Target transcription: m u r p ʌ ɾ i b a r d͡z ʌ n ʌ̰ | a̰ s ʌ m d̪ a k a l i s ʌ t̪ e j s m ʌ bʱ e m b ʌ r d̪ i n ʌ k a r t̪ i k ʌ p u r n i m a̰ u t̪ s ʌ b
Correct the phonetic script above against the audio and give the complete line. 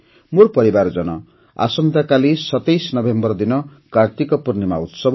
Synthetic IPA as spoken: m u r p ʌ ɾ i b a r d͡z ʌ n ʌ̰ | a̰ s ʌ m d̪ a k a l i s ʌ t̪ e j s n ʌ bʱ e m b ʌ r d̪ i n ʌ k a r t̪ i k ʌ p u r n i m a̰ u t̪ s ʌ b